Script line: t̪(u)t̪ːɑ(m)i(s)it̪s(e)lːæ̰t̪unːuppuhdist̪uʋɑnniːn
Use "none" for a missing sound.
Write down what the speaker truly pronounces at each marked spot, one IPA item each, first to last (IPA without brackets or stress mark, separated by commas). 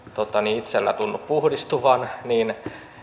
o, n, none, e